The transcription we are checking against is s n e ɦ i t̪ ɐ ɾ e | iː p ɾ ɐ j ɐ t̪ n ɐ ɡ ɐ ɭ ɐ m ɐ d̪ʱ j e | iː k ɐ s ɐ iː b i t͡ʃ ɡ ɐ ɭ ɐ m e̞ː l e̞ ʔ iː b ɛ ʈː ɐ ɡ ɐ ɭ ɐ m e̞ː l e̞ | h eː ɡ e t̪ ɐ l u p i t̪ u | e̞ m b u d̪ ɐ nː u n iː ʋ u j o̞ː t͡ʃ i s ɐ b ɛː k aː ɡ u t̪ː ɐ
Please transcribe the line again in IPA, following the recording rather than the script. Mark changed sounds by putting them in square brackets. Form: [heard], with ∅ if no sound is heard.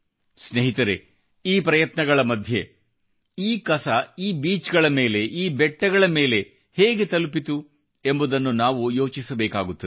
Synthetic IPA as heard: s n e ɦ i t̪ ɐ ɾ e | iː p ɾ ɐ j ɐ t̪ n ɐ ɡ ɐ ɭ ɐ m ɐ d̪ʱ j e | iː k ɐ s ɐ iː b [iː] t͡ʃ ɡ ɐ ɭ ɐ m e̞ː l e̞ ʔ iː b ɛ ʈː ɐ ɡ ɐ ɭ ɐ m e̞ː l e̞ | h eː ɡ e t̪ ɐ l u p i t̪ u | e̞ m b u d̪ ɐ nː u n [aː] ʋ u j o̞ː t͡ʃ i s ɐ b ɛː k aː ɡ u t̪ː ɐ